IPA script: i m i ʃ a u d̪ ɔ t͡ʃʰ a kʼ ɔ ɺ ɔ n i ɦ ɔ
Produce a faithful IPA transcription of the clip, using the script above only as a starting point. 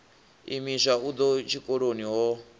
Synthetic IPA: i m i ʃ a u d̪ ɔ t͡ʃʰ i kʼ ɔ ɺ o n i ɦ ɔ